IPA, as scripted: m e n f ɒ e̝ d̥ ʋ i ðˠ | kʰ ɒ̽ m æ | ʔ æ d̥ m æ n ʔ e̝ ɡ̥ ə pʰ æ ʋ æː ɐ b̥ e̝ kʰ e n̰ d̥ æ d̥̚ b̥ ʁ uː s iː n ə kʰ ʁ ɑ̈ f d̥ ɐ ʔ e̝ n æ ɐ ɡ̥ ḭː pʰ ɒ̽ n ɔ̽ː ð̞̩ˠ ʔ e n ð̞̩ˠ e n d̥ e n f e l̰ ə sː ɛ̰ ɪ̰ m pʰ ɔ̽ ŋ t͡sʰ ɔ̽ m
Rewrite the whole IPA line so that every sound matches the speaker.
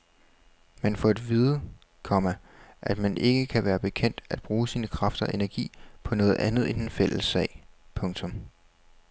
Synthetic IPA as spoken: m æ n f ɒ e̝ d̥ ʋ i ðˠ | kʰ ɒ̽ m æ | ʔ æ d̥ m æ n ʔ e̝ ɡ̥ ə kʰ æ ʋ æː ɐ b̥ e̝ kʰ e n̰ d̥ æ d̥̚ b̥ ʁ uː s iː n ə kʰ ʁ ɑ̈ f d̥ ɐ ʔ e̝ n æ ɐ ɡ̥ ḭː pʰ ɒ̽ n ɔ̽ː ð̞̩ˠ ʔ æ n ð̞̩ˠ e n d̥ e n f e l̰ ə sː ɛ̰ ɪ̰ pʰ ɔ̽ ŋ t͡sʰ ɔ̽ m